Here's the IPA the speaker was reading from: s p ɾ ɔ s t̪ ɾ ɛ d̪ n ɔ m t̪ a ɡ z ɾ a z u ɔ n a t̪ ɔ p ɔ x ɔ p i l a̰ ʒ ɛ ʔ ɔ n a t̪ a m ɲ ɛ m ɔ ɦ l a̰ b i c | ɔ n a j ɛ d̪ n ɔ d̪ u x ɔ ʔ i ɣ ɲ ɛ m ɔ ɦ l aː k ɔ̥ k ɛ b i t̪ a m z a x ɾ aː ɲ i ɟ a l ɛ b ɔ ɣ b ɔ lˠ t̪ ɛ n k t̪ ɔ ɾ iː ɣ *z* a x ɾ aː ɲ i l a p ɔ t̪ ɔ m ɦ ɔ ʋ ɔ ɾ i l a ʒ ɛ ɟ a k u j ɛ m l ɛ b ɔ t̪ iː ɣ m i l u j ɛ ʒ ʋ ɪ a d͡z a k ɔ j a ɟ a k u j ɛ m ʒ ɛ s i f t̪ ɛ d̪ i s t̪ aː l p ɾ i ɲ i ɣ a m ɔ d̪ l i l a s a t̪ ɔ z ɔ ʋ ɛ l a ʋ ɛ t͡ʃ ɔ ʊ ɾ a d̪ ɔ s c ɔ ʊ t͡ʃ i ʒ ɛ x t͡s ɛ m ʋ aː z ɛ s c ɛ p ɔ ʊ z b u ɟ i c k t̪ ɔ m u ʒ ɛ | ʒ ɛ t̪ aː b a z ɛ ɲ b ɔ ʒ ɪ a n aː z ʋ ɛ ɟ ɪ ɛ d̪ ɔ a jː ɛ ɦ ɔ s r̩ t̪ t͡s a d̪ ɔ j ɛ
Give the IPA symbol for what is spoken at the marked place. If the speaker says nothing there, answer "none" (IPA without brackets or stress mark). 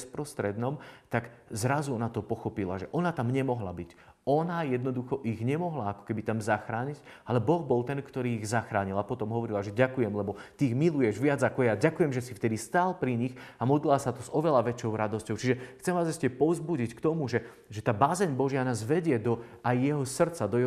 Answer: z